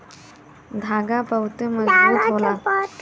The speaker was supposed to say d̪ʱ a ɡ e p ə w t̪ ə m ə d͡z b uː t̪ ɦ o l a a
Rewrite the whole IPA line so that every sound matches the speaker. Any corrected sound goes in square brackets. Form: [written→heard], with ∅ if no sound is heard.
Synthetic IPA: d̪ʱ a ɡ [e→a] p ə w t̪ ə m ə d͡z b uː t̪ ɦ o l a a